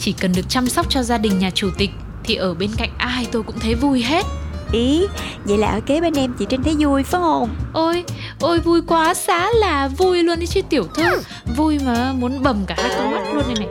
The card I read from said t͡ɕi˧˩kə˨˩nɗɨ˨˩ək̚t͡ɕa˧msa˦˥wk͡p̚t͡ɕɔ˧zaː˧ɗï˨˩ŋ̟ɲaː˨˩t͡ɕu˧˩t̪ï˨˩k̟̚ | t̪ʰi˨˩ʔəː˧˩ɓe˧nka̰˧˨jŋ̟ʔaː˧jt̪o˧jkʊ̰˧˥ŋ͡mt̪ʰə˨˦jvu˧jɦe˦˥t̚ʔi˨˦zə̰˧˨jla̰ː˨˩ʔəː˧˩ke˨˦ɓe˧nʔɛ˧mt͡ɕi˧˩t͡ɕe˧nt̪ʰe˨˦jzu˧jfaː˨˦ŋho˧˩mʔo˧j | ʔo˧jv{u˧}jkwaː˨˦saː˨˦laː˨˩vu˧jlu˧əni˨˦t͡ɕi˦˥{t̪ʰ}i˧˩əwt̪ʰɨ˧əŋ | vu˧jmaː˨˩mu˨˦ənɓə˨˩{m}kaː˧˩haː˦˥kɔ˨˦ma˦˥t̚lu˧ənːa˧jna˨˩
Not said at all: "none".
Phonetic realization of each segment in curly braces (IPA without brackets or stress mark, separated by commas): u˧, t̪, m